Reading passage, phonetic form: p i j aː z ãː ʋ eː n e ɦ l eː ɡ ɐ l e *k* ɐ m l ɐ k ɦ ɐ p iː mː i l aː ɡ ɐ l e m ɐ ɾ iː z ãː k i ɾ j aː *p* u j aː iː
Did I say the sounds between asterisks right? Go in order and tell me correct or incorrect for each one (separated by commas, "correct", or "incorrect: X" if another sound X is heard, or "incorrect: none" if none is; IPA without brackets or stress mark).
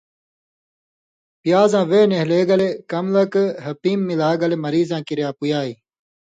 correct, correct